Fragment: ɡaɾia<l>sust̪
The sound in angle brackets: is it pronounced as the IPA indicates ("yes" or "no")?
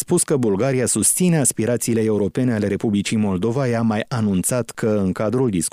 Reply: no